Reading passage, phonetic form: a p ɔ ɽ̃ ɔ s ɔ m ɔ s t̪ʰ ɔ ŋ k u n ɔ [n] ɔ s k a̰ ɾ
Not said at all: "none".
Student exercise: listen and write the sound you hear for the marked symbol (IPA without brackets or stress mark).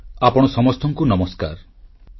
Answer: m